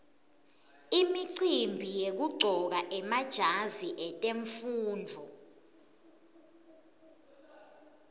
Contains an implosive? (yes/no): no